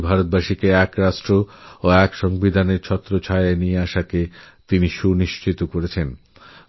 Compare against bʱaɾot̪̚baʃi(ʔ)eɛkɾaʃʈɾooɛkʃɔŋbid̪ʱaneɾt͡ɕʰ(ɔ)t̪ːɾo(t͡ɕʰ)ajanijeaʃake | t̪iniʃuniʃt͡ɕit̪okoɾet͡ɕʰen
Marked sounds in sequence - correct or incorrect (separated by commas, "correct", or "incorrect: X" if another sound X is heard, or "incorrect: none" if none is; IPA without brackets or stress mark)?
incorrect: k, correct, correct